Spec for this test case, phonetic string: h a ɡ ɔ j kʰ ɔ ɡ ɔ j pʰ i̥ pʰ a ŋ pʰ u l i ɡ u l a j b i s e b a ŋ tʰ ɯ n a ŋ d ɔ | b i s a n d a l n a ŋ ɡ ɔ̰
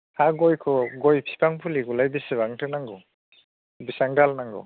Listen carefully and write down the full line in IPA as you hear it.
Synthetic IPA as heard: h a ɡ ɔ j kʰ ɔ ɡ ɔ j pʰ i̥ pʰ a ŋ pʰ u l i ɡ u l a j b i s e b a ŋ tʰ ɯ n a ŋ ɡ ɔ | b i s a ŋ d a l n a ŋ ɡ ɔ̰

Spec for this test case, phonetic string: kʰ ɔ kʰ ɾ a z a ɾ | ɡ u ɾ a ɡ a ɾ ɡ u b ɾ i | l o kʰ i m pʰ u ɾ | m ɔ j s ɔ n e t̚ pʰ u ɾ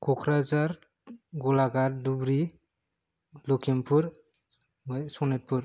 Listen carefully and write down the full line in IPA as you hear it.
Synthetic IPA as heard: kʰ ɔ kʰ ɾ a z a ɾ | ɡ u l a ɡ a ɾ d u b ɾ i | l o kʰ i m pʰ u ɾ | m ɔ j s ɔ n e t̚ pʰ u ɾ

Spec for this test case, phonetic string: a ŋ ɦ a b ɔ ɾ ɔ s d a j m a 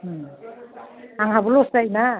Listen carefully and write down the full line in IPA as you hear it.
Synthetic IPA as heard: a ŋ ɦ a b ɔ l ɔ s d a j n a

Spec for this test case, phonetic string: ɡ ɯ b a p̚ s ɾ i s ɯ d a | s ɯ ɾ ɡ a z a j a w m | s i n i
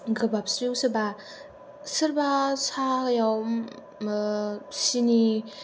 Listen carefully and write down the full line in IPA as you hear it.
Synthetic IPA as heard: ɡ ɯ b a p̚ s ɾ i s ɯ b a | s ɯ ɾ b a s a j a w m | s i n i

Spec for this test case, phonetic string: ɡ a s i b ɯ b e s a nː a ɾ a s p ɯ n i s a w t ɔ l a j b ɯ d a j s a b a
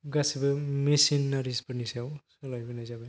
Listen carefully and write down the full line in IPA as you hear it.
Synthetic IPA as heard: ɡ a s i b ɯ m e s i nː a ɾ i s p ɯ n i s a w s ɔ l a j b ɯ n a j z a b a

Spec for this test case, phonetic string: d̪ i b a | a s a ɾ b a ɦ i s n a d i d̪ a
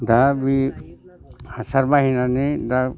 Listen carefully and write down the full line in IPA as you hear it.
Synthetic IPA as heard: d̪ a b i | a s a ɾ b a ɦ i n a n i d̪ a

